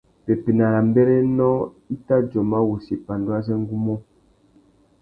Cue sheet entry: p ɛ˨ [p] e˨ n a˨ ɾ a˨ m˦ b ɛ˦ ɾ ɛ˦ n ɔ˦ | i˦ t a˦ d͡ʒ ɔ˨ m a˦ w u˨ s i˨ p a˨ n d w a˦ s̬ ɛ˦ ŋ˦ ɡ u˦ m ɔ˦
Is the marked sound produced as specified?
yes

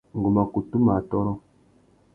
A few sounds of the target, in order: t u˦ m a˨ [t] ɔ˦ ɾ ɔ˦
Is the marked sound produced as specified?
yes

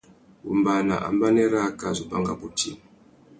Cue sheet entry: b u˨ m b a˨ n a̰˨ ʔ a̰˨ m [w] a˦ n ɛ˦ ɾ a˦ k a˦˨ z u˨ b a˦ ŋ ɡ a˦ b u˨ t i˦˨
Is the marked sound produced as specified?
no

